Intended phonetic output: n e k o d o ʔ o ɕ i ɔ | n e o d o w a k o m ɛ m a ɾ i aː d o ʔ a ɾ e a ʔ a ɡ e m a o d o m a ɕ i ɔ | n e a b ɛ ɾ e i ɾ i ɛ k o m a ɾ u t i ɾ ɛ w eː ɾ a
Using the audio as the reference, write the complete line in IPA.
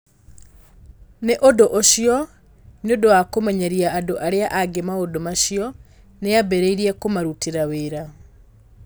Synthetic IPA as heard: n e ʔ o d o ʔ o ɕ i ɔ | n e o d o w a k o m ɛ ɲ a ɾ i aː d o ʔ a ɾ e a ʔ a ɡ e m a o d o m a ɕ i ɔ | n e a b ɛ ɾ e i ɾ i ɛ k o m a ɾ u t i ɾ a w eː ɾ a